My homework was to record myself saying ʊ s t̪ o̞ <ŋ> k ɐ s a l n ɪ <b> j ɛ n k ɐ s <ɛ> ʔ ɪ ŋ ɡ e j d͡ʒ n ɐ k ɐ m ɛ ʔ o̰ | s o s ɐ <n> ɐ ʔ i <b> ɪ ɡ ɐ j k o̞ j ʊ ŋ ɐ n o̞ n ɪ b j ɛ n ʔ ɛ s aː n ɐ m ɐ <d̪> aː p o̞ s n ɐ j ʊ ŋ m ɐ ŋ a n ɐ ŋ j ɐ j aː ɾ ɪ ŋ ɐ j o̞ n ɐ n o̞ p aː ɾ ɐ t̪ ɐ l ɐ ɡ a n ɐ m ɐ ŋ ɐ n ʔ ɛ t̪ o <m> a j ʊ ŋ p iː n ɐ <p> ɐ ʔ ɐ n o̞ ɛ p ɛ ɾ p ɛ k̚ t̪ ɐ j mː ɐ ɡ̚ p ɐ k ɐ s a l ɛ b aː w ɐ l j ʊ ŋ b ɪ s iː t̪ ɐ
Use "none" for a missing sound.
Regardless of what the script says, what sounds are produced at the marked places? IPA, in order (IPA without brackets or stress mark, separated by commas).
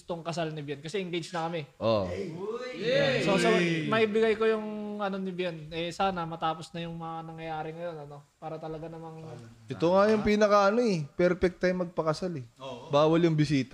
ŋ, b, ɛ, m, b, t̪, ŋ, k